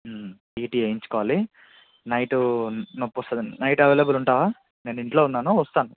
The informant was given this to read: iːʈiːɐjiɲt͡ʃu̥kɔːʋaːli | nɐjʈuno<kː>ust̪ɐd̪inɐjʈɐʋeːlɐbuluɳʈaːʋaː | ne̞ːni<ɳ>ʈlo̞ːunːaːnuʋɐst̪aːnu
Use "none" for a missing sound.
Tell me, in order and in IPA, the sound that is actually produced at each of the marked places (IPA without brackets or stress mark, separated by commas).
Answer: pː, ɳ